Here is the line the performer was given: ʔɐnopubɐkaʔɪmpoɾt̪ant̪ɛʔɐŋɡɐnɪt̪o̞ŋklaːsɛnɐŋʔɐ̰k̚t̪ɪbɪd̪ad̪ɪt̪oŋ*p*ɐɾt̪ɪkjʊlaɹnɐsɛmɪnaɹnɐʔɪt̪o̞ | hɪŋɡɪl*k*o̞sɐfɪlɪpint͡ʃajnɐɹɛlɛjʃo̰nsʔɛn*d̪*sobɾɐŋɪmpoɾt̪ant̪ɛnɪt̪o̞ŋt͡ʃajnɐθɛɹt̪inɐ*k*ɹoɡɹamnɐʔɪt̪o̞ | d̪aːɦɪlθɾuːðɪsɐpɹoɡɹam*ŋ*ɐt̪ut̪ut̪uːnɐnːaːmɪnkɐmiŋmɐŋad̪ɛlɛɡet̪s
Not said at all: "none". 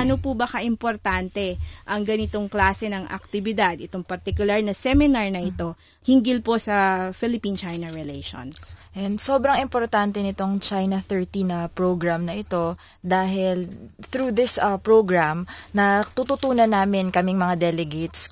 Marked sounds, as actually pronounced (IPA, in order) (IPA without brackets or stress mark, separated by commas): p, p, d̪, p, n